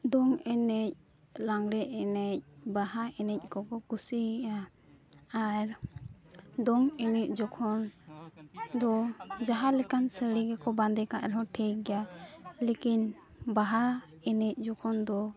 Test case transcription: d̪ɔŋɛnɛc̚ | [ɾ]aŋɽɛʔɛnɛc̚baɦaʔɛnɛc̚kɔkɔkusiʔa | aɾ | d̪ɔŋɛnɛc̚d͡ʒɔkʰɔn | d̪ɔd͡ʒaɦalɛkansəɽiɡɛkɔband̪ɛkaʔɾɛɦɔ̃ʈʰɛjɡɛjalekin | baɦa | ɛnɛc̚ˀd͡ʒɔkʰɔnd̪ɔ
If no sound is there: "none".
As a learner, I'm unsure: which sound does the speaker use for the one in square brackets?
l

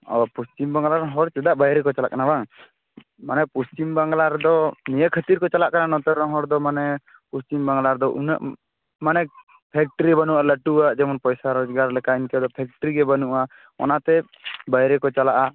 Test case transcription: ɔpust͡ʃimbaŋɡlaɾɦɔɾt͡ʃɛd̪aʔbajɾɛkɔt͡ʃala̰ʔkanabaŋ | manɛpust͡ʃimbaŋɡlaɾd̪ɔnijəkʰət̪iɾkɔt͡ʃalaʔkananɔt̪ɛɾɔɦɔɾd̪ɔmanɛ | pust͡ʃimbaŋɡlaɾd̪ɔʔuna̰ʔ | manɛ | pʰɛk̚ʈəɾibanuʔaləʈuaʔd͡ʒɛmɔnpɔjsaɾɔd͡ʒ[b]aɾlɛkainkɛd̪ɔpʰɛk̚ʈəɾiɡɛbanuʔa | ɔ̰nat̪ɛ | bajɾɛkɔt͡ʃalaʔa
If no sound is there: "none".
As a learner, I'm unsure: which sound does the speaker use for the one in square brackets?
ɡ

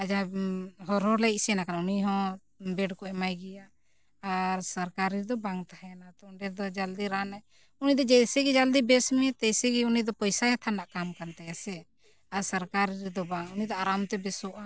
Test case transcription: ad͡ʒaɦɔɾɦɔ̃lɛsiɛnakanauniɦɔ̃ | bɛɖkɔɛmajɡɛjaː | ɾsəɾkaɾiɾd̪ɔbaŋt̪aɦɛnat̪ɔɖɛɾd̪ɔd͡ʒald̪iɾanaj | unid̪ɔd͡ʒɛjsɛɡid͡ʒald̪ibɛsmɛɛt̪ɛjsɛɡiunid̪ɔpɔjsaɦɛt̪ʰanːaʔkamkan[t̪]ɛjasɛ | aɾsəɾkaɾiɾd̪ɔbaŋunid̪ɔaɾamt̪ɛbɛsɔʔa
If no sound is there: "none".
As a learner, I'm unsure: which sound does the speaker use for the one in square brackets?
t̪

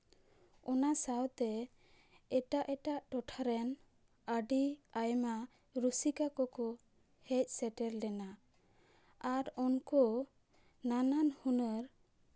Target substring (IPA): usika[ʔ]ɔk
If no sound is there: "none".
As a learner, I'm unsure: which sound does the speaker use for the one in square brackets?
k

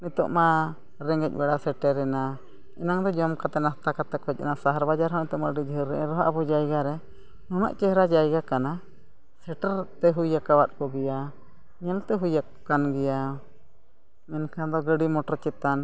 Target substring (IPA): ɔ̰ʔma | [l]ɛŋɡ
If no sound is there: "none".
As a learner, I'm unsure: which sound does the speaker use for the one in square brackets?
ɾ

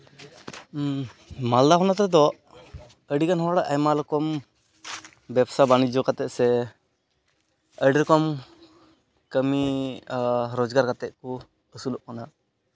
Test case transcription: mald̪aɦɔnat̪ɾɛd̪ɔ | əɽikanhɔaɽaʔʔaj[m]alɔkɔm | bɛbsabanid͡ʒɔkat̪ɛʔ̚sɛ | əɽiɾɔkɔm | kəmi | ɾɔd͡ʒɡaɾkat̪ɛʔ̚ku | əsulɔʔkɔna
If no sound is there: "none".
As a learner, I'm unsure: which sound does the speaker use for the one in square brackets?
m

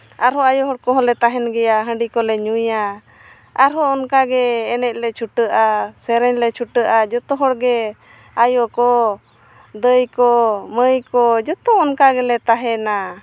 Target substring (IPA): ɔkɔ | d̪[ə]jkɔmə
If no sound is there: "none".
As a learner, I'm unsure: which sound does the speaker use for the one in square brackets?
ə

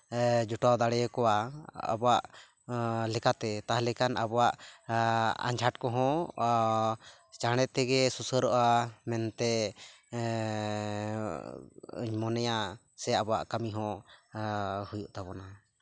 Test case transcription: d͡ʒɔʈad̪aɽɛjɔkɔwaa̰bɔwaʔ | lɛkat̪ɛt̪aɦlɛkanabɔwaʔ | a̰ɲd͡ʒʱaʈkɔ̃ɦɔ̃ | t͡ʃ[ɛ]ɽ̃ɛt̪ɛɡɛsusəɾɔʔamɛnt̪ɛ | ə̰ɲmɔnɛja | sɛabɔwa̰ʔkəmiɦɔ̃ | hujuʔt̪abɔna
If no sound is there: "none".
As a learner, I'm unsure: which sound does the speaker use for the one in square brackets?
a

